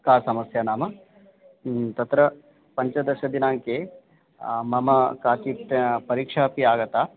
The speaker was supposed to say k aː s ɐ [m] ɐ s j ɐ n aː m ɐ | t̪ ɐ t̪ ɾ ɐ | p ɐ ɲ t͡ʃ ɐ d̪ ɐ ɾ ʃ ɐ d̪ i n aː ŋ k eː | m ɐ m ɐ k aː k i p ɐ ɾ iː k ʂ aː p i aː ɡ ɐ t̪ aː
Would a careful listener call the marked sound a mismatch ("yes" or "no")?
no